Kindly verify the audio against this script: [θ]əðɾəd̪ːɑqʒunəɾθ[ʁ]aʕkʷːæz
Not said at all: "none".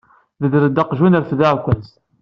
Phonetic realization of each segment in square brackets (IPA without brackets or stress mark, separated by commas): ð, ð